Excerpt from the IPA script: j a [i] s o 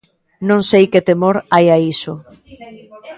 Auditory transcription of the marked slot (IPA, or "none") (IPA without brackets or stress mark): i